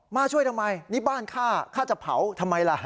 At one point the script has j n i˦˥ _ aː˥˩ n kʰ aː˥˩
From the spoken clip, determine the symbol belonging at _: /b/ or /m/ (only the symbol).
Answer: b